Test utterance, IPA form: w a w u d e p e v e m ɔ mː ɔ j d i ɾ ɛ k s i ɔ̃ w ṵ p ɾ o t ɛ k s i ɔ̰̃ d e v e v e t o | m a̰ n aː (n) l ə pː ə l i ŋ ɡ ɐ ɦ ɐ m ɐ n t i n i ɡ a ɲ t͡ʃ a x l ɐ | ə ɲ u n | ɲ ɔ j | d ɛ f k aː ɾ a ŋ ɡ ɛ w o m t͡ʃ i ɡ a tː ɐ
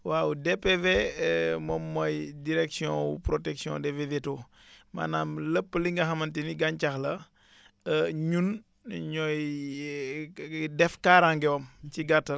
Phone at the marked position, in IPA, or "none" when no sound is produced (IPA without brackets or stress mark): m